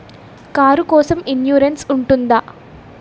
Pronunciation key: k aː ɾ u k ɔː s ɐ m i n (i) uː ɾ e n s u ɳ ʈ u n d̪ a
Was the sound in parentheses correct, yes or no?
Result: no